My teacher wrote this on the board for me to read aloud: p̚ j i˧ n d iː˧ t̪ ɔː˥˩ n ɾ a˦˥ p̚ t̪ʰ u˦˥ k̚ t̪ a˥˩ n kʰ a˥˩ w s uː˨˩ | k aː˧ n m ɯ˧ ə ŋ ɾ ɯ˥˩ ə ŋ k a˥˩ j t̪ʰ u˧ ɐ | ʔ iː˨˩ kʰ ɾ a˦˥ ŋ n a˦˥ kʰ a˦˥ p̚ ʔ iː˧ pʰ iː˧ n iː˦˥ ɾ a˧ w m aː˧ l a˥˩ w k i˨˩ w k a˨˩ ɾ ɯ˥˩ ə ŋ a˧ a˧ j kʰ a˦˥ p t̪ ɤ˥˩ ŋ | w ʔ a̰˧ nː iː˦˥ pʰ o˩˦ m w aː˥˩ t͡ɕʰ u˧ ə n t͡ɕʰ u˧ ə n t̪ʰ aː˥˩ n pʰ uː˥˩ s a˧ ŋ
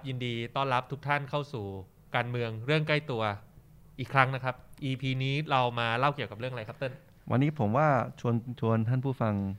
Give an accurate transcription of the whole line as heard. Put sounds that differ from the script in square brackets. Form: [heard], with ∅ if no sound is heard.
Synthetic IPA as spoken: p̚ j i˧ n d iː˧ t̪ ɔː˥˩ n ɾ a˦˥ p̚ t̪ʰ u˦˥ k̚ [t̪ʰ] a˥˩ n kʰ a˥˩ w s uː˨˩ | k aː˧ n m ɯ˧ ə ŋ ɾ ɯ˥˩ ə ŋ k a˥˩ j [t̪] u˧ ɐ | ʔ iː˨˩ kʰ ɾ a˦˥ ŋ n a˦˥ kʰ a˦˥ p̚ ʔ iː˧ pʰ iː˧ n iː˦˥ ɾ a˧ w m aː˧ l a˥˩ w k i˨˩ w k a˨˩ ɾ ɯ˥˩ ə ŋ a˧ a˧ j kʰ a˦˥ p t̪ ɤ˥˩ [n] | w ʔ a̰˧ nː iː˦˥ pʰ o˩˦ m w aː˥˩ t͡ɕʰ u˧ ə n t͡ɕʰ u˧ ə n t̪ʰ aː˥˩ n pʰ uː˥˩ [f] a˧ ŋ